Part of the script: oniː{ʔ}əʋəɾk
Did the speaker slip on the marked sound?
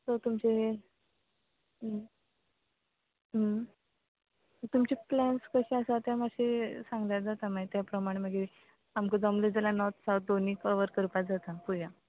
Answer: yes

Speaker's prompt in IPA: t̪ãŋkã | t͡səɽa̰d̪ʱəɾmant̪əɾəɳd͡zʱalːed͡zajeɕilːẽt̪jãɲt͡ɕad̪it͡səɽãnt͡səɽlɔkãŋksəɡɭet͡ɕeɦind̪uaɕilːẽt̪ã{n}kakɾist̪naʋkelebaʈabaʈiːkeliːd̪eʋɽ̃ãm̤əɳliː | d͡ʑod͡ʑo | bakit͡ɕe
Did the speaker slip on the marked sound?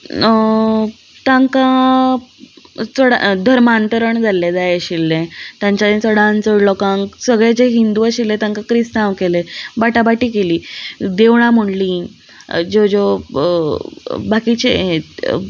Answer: yes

